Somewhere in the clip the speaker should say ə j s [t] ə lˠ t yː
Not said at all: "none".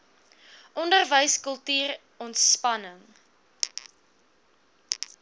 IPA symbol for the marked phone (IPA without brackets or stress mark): k